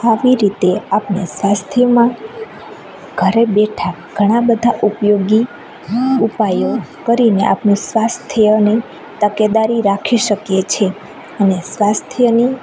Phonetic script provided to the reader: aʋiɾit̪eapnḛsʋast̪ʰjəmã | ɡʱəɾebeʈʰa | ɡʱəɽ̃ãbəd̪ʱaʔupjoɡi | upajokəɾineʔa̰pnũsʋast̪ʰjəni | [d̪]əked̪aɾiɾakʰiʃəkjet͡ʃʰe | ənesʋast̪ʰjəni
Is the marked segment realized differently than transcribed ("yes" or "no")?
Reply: yes